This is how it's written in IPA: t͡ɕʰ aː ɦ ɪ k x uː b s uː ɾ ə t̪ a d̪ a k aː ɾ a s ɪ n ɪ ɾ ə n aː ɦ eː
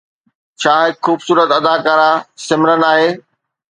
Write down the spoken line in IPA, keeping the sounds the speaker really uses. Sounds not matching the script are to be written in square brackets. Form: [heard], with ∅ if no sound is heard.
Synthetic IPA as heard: t͡ɕʰ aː ɦ ɪ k x uː b s uː ɾ ə t̪ [ɐ] d̪ a k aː ɾ a s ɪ [m] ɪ ɾ ə n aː ɦ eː